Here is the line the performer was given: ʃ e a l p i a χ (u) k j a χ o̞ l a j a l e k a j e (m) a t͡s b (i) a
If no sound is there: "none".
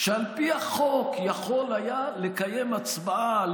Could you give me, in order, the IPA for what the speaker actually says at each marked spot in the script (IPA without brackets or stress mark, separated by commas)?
o, m, a